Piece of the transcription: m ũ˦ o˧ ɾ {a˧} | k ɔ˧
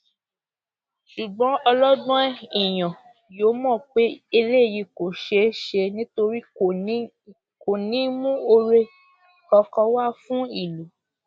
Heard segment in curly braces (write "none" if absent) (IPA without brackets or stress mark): e˧